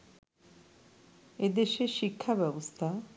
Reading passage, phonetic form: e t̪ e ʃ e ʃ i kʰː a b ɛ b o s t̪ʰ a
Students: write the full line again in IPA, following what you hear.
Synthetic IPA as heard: e d̪ e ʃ e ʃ i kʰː a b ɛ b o s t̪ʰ a